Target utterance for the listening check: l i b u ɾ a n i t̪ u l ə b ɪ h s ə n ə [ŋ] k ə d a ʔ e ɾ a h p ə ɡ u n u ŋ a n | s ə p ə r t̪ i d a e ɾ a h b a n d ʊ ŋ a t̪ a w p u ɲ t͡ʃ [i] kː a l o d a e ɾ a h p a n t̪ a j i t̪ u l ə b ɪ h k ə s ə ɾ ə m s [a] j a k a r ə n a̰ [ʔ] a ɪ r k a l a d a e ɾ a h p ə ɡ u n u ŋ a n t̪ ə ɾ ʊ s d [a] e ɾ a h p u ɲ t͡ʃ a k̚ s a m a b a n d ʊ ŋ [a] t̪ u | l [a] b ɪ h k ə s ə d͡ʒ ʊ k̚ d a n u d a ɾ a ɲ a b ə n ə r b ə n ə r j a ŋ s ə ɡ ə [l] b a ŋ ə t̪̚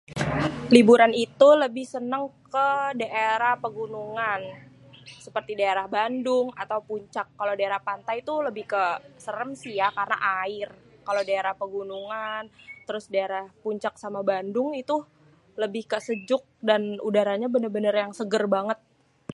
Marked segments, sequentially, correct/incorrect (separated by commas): correct, incorrect, incorrect, correct, correct, incorrect, incorrect, incorrect